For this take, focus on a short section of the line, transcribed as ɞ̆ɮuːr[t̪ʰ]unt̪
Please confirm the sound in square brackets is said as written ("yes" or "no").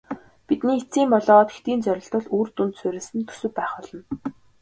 no